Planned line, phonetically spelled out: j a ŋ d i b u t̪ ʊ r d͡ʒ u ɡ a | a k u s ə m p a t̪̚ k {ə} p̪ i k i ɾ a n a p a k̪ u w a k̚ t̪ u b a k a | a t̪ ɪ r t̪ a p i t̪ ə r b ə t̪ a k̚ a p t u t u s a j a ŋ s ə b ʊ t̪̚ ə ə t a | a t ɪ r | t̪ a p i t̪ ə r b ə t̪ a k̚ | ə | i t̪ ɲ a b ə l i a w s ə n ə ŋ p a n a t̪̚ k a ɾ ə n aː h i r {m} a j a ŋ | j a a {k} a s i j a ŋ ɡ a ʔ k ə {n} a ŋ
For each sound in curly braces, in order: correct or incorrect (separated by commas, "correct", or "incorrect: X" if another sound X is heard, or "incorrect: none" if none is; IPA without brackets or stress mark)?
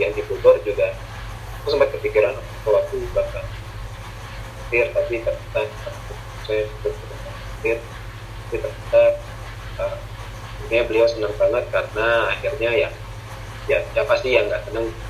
correct, incorrect: ɲ, incorrect: p, correct